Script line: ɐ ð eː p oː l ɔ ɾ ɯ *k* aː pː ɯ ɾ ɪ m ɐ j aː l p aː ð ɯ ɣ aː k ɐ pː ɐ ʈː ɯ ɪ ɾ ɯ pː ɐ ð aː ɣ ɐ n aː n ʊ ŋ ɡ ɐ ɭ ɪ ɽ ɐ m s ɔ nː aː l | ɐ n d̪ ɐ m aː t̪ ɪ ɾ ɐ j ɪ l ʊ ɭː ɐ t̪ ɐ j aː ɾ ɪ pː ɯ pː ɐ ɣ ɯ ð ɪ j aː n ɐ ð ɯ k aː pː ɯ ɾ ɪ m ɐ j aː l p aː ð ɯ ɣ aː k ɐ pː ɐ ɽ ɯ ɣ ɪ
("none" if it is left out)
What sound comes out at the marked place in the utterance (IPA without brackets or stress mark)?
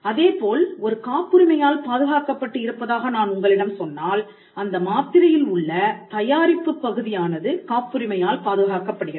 k